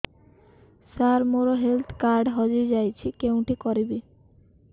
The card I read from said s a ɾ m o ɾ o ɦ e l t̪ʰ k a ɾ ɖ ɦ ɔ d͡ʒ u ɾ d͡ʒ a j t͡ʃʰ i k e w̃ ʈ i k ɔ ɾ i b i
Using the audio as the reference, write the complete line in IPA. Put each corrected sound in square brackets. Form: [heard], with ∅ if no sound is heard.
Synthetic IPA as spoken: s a ɾ m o ɾ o ɦ e l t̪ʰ k a ɾ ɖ ɦ ɔ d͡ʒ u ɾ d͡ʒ a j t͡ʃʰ i k e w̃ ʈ i k ɔ ɾ i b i